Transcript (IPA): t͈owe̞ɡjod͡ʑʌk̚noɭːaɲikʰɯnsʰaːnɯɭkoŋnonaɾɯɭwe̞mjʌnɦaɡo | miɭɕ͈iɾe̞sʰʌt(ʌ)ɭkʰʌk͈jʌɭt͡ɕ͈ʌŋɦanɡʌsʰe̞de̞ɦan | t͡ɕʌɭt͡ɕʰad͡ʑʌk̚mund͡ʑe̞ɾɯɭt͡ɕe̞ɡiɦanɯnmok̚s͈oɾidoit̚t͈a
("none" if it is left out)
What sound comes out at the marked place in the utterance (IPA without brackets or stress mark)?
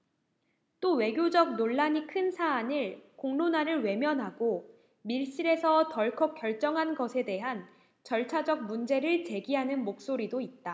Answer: ʌ